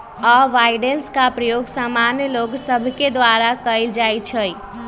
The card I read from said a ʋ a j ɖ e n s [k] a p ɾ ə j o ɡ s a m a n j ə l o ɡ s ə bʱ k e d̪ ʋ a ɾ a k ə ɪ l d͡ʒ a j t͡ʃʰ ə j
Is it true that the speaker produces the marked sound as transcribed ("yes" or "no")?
yes